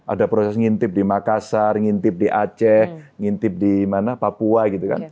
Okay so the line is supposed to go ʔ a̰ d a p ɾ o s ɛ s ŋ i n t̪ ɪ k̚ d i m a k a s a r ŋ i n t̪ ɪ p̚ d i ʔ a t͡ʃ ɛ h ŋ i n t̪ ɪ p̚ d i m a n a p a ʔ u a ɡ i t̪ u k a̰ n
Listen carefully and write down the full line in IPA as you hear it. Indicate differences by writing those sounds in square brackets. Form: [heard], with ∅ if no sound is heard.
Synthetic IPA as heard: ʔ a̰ d a p ɾ o s ɛ s ŋ i n t̪ ɪ [p̚] d i m a k a s a r ŋ i n t̪ ɪ p̚ d i ʔ a t͡ʃ ɛ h ŋ i n t̪ ɪ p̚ d i m a n a p a [p] u a ɡ i t̪ u k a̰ n